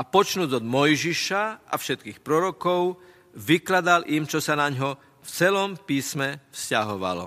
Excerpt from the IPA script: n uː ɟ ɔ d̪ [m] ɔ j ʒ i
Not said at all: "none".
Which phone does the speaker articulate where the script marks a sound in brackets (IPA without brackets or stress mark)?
m